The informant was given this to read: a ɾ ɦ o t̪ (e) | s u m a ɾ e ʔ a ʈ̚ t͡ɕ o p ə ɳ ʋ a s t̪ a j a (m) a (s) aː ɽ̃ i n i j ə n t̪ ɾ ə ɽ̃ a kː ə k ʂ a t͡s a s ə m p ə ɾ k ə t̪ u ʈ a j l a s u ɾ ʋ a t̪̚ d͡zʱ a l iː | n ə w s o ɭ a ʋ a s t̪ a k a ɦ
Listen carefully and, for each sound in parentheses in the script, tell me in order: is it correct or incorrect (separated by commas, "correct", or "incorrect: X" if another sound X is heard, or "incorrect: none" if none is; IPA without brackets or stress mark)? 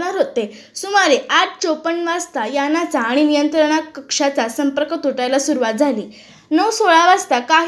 correct, incorrect: n, incorrect: t͡s